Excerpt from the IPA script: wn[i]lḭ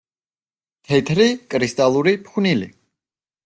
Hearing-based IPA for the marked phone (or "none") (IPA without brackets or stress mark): i